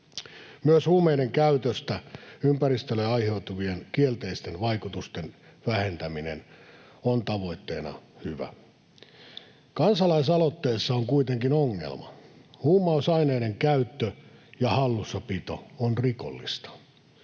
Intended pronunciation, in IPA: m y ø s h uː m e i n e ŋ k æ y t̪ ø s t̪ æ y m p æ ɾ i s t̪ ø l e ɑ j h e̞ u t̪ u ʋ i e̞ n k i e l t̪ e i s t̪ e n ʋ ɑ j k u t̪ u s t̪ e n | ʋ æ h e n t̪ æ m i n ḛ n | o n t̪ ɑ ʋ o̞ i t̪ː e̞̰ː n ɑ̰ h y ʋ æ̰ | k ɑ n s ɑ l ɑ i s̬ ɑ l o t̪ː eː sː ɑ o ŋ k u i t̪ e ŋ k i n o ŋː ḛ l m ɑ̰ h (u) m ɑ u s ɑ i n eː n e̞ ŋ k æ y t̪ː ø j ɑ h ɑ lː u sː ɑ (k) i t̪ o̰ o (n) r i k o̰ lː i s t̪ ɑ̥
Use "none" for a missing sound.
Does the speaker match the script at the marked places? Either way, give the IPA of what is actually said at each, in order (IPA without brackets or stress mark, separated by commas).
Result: uː, p, n